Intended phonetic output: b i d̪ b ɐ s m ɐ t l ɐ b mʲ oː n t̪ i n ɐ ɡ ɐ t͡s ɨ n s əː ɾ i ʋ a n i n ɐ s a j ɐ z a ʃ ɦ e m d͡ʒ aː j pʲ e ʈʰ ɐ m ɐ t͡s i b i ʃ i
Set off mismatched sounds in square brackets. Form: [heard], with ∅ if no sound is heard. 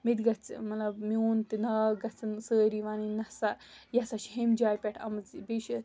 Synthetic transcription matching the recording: [m] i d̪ [ɡ] ɐ [t͡s] m ɐ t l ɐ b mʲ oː n t̪ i n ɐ ɡ ɐ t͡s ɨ n s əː ɾ i ʋ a n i n ɐ s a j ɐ [s] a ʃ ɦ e m d͡ʒ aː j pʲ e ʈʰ ɐ m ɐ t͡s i b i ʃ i